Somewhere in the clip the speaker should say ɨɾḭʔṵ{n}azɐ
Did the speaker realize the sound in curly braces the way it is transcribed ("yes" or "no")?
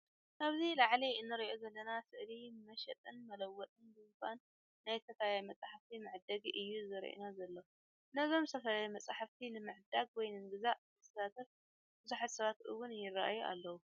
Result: yes